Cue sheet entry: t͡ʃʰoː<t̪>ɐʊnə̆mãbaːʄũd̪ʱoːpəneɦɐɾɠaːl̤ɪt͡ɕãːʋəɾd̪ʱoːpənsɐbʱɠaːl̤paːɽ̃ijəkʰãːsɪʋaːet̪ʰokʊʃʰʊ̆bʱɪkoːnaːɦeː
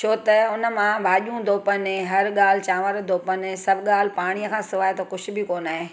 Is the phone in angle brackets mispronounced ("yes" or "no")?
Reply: no